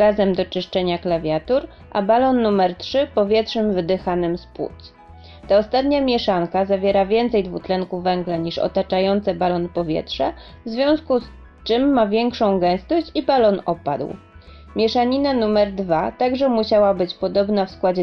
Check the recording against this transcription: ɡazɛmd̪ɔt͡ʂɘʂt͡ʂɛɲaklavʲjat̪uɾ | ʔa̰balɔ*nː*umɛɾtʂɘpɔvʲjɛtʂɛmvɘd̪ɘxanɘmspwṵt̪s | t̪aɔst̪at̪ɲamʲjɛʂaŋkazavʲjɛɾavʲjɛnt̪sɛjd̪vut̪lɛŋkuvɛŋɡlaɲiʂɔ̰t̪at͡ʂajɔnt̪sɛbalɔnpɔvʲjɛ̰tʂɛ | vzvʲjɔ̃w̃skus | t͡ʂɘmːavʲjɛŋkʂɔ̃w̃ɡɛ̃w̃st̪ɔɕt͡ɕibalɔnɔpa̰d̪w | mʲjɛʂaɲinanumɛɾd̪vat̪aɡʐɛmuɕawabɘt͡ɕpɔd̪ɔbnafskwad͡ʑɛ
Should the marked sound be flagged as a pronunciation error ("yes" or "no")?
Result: no